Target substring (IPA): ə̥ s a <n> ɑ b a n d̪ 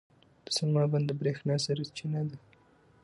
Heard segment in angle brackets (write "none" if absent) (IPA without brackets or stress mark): m